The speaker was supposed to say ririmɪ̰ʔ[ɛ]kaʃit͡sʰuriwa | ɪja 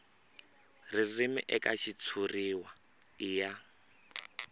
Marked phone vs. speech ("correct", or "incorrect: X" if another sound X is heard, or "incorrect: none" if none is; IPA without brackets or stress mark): correct